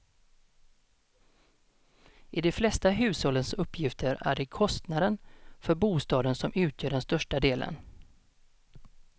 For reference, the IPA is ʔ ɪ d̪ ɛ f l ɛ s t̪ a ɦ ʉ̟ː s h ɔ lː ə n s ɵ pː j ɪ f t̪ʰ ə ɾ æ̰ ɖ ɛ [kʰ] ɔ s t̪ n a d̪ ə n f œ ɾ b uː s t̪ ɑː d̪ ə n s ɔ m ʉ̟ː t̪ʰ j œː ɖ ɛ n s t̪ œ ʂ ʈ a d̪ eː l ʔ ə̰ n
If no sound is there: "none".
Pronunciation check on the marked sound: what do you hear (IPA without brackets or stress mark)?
kʰ